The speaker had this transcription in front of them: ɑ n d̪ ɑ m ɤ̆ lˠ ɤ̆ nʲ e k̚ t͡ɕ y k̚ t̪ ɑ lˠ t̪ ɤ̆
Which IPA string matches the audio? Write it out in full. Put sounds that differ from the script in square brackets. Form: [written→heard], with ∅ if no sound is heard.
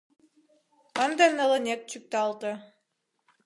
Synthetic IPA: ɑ n d̪ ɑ [m→n] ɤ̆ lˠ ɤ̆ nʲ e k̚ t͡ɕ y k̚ t̪ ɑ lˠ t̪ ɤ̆